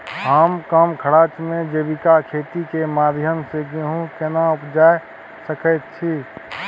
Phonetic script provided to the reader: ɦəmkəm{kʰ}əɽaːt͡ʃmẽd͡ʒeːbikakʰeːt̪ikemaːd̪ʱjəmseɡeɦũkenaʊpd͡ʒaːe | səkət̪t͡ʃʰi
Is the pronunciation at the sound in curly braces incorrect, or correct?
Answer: correct